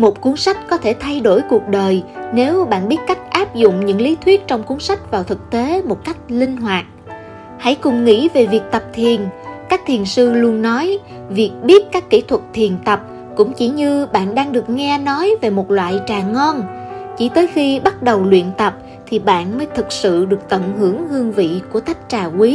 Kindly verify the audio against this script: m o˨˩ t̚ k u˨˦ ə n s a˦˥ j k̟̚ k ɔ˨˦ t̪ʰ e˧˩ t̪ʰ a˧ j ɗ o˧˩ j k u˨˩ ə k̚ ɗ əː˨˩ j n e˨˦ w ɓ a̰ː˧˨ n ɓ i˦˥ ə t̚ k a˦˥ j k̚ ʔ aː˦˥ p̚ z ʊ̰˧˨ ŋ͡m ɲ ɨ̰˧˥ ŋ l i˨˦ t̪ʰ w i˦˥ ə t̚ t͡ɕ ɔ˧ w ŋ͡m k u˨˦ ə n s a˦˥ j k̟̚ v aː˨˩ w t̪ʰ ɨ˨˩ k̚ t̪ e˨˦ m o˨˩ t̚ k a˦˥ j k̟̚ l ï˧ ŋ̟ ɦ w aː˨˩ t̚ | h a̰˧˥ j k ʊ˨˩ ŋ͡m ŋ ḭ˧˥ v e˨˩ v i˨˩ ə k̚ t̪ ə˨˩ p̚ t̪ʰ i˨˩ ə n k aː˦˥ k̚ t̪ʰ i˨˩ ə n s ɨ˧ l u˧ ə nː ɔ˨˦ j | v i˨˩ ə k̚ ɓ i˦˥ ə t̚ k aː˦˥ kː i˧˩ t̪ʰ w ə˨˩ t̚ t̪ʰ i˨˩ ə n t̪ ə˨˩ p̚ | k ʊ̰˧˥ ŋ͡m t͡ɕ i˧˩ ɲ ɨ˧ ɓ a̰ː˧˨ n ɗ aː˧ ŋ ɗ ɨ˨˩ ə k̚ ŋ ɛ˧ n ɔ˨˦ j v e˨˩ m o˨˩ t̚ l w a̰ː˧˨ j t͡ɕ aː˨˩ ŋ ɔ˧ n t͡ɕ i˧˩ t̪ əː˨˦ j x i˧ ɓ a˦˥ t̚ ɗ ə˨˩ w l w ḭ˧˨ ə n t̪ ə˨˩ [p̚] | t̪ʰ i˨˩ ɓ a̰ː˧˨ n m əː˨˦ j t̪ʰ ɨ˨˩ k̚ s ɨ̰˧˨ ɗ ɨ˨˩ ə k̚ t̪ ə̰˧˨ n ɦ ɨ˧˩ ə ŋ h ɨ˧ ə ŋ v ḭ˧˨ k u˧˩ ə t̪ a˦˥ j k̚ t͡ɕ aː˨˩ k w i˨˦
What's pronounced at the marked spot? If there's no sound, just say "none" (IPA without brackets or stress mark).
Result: p̚